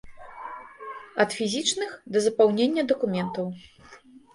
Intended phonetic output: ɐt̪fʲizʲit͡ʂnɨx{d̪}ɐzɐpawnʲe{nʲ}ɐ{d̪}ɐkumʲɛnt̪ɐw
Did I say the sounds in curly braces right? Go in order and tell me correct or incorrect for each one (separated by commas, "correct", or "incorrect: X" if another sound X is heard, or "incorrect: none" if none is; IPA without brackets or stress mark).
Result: correct, incorrect: nʲː, correct